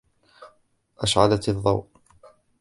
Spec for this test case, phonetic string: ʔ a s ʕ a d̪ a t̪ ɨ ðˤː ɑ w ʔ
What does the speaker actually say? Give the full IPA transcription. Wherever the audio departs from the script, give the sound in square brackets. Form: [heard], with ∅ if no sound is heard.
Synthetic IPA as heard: ʔ a [ʃ] ʕ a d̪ a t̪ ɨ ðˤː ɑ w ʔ